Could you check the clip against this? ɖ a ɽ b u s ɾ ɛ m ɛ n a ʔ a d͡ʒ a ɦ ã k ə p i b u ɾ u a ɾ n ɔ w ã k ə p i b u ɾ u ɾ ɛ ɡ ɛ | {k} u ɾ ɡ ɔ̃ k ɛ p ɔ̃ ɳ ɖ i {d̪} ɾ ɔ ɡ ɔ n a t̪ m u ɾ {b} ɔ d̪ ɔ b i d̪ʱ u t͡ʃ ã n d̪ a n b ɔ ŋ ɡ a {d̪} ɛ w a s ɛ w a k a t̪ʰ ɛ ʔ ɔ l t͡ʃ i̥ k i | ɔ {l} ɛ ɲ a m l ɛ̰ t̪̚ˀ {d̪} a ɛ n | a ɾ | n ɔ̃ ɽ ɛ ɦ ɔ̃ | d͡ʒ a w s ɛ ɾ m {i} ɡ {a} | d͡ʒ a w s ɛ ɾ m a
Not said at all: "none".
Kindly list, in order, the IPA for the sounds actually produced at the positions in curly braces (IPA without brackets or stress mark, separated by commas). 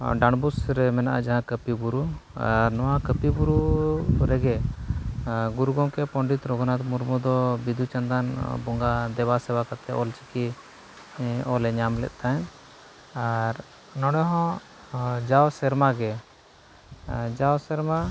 ɡ, t̪, m, d̪, l, t̪, a, ɛ